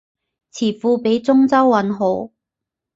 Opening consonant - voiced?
no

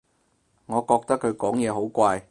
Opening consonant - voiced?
yes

